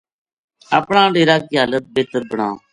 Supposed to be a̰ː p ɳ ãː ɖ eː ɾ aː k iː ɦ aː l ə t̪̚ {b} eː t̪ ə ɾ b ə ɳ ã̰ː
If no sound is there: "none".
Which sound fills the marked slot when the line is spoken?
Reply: b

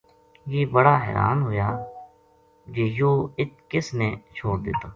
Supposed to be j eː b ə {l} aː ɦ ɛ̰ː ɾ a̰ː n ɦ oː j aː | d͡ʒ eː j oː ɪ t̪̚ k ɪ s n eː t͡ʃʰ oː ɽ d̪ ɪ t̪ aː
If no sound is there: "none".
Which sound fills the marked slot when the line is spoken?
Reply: ɽ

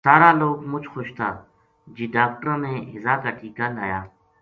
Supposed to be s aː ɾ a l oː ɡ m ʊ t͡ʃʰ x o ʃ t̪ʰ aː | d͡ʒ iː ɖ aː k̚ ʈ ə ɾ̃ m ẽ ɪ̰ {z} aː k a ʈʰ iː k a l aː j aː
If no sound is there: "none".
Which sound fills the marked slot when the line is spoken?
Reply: z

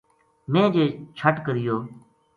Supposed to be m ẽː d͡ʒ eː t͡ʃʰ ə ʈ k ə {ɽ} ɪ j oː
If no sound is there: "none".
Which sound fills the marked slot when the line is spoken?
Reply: ɾ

